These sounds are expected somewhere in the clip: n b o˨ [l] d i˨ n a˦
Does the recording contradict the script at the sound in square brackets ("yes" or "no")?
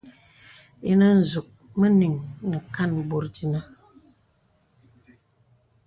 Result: yes